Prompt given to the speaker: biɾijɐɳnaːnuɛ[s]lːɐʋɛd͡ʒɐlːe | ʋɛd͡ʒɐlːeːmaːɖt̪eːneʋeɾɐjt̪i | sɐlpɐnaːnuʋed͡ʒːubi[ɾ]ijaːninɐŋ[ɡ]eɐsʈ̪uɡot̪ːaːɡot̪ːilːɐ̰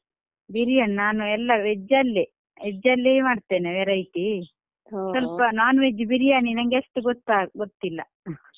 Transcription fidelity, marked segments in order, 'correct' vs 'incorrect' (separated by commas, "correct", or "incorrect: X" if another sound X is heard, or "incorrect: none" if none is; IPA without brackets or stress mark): incorrect: none, correct, correct